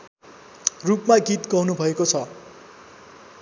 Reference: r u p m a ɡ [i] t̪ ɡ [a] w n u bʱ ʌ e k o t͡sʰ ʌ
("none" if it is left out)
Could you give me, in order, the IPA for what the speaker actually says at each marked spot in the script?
i, ʌ

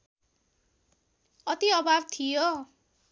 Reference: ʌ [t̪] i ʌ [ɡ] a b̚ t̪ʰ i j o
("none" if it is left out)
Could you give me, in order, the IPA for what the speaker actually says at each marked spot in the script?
t̪, b

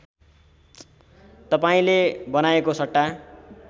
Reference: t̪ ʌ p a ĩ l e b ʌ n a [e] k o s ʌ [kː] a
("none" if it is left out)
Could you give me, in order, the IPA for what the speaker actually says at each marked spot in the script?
e, ʈː

